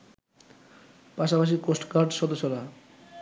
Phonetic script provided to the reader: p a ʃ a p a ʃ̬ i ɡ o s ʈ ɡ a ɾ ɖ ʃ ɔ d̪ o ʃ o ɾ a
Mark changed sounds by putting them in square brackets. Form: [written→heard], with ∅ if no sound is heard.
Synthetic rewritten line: p a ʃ a p a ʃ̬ i [ɡ→k] o s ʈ [ɡ→k] a ɾ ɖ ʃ ɔ d̪ o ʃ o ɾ a